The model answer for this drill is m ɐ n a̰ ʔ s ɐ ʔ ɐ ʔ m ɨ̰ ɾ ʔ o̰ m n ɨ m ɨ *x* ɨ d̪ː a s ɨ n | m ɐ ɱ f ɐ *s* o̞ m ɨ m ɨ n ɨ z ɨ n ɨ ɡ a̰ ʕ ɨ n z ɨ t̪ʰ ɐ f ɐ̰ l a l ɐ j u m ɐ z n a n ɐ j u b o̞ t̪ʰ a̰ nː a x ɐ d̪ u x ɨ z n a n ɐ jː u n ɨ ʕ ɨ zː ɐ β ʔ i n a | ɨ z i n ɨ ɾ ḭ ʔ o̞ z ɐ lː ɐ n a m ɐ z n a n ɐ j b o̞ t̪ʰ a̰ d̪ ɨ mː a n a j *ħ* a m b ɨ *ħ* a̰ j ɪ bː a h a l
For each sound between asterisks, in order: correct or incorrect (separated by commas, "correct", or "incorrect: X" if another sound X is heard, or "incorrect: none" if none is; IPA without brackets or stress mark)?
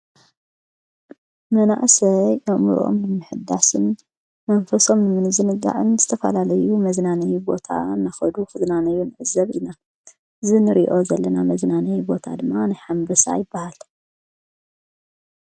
incorrect: ħ, correct, correct, incorrect: s